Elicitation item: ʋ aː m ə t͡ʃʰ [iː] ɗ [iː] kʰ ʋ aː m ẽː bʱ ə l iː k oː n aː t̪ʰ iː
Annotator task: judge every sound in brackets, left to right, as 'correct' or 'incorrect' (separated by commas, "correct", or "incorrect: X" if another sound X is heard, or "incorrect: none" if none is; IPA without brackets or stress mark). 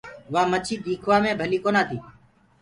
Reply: correct, correct